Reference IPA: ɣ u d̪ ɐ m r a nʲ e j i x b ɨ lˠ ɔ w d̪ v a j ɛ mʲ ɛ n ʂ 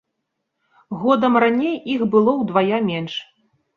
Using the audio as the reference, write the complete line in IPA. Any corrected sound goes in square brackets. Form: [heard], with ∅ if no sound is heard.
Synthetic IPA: ɣ [ɔ] d̪ ɐ m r a nʲ e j i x b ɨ lˠ ɔ w d̪ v a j [a] mʲ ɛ n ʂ